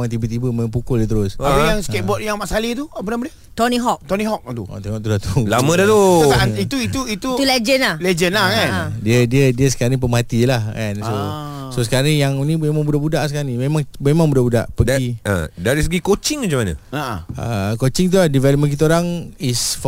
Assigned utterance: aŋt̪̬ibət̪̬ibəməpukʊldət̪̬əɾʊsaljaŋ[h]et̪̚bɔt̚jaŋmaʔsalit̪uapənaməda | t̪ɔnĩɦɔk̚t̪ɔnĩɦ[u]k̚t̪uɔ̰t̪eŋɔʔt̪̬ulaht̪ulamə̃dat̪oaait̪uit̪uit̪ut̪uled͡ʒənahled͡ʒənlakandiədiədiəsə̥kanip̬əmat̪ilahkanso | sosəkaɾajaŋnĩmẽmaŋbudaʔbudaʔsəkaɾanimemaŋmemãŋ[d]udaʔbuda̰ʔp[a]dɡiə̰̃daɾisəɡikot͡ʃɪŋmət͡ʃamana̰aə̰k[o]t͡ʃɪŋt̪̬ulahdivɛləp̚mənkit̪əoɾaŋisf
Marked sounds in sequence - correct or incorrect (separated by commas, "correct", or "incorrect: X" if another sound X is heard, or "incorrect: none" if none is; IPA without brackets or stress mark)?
incorrect: s, incorrect: ɔ, incorrect: b, incorrect: ə, correct